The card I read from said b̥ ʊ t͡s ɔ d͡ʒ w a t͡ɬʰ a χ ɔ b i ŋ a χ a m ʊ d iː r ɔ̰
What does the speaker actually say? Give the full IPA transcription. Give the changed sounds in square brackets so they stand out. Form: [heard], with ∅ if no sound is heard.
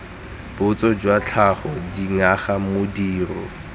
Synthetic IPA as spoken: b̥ ʊ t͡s ɔ d͡ʒ w a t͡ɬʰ a χ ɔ [d] i ŋ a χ a m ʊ d iː r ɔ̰